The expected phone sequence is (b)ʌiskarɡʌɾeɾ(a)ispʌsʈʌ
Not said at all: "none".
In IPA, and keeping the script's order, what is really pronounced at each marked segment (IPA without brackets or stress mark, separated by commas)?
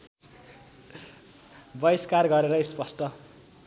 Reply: b, ʌ